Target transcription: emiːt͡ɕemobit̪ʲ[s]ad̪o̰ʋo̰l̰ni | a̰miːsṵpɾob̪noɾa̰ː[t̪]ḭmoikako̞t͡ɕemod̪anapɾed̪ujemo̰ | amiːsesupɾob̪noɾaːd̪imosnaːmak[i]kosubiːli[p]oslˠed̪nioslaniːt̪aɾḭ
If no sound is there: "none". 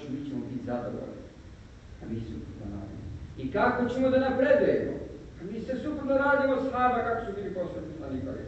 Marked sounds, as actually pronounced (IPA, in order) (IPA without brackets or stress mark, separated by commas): z, d̪, a, p